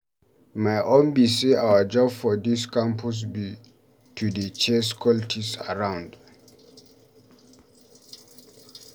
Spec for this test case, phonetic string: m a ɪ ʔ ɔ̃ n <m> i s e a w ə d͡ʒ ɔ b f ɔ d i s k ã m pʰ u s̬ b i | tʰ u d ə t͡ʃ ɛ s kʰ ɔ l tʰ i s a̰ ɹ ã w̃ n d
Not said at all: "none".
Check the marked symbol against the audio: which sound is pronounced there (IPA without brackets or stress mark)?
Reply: b